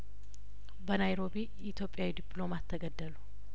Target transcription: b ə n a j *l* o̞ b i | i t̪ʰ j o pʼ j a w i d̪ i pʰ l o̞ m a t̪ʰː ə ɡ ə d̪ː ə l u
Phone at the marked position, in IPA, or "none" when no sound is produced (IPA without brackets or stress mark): ɾ